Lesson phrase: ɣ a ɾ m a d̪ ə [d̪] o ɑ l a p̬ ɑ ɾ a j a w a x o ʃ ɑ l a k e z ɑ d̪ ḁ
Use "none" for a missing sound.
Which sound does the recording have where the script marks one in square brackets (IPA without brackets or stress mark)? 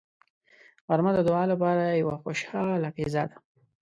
d̪